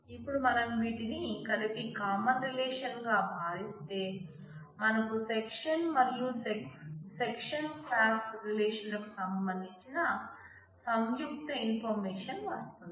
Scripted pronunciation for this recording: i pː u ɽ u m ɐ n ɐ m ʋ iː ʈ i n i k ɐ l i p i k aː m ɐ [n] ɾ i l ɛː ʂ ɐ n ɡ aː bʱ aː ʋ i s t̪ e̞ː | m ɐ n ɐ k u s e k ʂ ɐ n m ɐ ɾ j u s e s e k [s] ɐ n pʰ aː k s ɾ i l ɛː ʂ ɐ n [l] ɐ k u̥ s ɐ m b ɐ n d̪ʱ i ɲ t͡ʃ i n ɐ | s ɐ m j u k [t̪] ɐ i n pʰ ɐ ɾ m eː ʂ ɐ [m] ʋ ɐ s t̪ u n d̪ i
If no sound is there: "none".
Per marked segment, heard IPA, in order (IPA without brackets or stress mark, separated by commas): n, ʂ, l, t̪, n